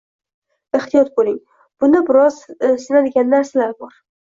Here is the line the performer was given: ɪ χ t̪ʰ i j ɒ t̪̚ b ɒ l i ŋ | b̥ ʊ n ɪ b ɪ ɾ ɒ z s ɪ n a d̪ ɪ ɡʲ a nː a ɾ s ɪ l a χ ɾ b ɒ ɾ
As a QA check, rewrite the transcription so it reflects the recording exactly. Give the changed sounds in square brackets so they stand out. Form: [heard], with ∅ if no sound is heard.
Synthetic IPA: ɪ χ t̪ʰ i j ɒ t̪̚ b [o] l [ɪ] ŋ | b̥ ʊ n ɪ b ɪ ɾ ɒ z s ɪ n a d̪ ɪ ɡʲ a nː a ɾ s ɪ l a [∅] ɾ b ɒ ɾ